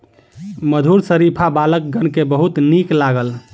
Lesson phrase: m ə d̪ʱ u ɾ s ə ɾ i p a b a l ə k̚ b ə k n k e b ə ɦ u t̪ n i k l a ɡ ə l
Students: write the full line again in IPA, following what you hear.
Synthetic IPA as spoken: m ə d̪ʱ u ɾ s ə ɾ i pʰ a b a l ə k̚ ɡ ə n k e b ə ɦ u t̪ n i k l a ɡ ə l